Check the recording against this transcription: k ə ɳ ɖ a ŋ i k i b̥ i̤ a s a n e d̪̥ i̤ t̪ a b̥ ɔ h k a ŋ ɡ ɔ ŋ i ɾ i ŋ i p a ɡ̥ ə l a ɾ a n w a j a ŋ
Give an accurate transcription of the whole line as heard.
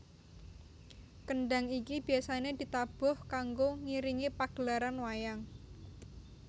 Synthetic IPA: k ə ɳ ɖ a ŋ i k i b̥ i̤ a s a n e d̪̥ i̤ t̪ a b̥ ɔ h k a ŋ ɡ o ŋ i ɾ i ŋ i p a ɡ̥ ə l a ɾ a n w a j a ŋ